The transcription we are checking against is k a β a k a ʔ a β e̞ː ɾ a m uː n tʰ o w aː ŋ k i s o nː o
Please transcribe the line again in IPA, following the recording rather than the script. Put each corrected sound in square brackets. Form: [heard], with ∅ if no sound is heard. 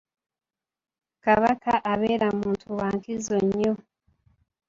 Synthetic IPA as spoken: k a β a k a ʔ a β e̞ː ɾ a m uː n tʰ [u] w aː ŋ k i [z] o [ɲː] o